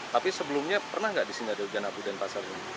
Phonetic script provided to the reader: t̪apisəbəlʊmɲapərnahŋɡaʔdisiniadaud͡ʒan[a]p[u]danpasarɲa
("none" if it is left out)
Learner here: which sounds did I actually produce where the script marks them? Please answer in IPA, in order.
a, u

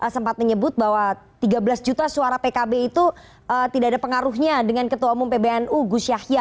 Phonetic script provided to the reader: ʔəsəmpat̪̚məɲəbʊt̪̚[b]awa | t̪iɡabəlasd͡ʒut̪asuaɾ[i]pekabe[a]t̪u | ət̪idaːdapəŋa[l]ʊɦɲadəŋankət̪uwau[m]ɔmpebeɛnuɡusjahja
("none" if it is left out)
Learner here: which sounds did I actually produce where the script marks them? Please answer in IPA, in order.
b, a, i, ɾ, m

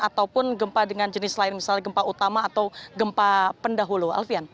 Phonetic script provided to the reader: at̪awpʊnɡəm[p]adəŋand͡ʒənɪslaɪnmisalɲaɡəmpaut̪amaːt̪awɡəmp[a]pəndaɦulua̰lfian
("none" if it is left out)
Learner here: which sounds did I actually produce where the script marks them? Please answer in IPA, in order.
p, a

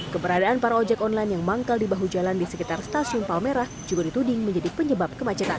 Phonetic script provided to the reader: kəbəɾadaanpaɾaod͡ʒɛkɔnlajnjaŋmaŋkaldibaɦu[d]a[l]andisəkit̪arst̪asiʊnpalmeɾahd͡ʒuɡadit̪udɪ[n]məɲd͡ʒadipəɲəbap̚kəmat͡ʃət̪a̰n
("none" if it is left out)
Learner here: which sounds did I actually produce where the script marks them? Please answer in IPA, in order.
d͡ʒ, l, ŋ

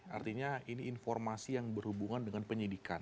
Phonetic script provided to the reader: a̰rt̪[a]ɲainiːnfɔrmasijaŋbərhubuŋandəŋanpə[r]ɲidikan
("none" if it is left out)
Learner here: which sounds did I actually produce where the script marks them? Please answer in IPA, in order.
i, none

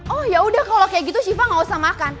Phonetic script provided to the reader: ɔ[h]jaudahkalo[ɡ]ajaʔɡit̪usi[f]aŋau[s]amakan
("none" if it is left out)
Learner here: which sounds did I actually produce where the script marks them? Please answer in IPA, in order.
h, k, f, s

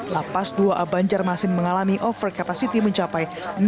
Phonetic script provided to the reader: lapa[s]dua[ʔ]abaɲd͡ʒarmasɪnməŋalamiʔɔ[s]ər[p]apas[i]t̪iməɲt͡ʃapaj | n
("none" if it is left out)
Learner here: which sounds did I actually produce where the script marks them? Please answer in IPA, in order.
s, ʔ, f, k, i

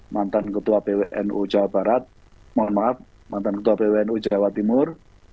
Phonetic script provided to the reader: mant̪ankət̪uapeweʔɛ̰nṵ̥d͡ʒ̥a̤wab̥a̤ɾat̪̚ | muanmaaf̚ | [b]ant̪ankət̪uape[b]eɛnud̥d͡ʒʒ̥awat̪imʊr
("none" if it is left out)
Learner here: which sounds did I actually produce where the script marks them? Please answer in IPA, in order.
m, w

